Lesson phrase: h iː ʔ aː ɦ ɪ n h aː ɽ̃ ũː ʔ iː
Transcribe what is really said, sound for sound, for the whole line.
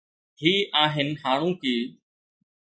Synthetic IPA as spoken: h iː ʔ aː ɦ ɪ n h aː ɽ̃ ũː k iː

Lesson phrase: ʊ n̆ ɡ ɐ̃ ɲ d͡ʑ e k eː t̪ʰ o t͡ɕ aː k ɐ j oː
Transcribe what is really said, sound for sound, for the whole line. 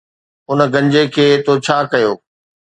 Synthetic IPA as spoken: ʊ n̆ ɡ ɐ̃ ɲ d͡ʑ e kʰ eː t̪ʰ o t͡ɕʰ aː k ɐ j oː

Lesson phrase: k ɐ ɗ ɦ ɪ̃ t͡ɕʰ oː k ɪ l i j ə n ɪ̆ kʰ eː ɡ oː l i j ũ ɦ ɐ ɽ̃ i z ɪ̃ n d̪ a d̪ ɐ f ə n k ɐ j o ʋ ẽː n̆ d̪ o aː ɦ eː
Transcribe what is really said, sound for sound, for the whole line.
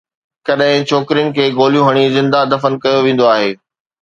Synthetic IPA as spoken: k ɐ ɗ ɦ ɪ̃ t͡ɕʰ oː k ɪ ɾ i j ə n ɪ̆ kʰ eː ɡ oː l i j ũ ɦ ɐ ɽ̃ i z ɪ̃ n d̪ a d̪ ɐ f ə n k ɐ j o ʋ ẽː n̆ d̪ o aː ɦ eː

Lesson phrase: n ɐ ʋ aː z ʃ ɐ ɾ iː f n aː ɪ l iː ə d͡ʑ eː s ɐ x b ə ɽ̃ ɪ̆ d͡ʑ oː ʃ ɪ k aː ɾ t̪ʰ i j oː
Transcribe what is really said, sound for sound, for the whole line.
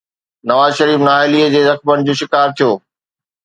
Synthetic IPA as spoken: n ɐ ʋ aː z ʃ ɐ ɾ iː f n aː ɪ l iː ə d͡ʑ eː z ɐ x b ə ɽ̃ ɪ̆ d͡ʑ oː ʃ ɪ k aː ɾ t̪ʰ i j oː

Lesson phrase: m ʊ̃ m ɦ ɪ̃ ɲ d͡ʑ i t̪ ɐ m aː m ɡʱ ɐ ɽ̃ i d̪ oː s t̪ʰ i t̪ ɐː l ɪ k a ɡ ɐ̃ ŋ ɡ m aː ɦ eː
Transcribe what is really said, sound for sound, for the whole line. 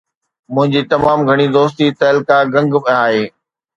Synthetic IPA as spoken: m ʊ̃ ɦ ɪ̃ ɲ d͡ʑ i t̪ ɐ m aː m ɡʱ ɐ ɽ̃ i d̪ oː s t̪ i t̪ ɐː l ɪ k a ɡ ɐ̃ ŋ ɡ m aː ɦ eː

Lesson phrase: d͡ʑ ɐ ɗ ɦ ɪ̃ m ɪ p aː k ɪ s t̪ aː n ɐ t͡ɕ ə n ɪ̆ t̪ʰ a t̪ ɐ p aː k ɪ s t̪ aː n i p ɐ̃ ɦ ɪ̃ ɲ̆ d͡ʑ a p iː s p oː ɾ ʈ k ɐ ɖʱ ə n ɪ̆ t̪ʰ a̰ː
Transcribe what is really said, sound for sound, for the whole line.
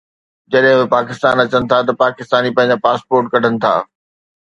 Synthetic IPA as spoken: d͡ʑ ɐ ɗ ɦ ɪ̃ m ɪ p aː k ɪ s t̪ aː n ɐ t͡ɕ ə n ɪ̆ t̪ʰ a t̪ ɐ p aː k ɪ s t̪ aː n i p ɐ̃ ɦ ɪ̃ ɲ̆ d͡ʑ a p aː s p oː ɾ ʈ k ɐ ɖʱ ə n ɪ̆ t̪ʰ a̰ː

